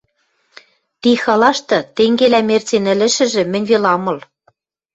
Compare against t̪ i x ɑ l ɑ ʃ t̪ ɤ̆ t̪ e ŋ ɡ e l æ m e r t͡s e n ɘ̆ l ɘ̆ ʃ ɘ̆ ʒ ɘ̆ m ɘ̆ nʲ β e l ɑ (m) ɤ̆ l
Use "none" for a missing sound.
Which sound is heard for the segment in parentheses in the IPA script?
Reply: m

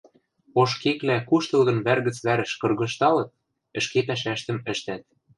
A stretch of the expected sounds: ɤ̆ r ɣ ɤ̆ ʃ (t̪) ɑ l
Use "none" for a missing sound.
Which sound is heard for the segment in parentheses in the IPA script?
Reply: t̪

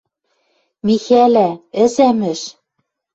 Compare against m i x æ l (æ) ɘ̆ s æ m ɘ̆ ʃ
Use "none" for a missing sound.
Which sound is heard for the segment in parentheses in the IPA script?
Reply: æ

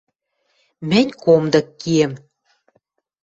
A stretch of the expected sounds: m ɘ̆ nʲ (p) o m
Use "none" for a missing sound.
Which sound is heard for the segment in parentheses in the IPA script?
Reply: k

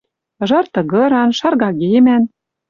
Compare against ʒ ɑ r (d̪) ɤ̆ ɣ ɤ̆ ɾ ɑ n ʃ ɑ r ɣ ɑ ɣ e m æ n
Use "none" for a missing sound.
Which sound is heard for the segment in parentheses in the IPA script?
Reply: t̪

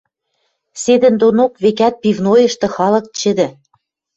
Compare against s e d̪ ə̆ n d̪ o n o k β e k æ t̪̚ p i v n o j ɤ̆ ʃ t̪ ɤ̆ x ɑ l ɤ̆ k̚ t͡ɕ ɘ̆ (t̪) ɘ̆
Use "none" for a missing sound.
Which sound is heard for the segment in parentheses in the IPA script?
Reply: d̪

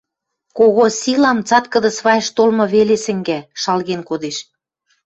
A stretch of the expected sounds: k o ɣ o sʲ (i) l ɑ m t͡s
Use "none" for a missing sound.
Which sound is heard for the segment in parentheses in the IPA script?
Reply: i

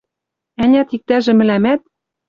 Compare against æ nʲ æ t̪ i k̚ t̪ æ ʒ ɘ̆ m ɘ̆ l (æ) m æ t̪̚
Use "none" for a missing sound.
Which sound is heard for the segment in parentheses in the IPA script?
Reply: æ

